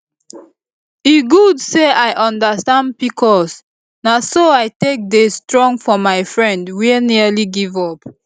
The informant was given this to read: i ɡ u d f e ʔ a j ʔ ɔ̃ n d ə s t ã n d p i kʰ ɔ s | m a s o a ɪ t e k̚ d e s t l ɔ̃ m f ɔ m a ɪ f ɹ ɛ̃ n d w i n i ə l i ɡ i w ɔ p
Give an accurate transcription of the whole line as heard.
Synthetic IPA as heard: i ɡ u d s e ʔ a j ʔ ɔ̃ n d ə s t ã n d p i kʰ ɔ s | n a s o a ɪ t e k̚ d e s t ɹ ɔ̃ ŋ f ɔ m a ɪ f ɹ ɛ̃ n d w i n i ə l i ɡ i v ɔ p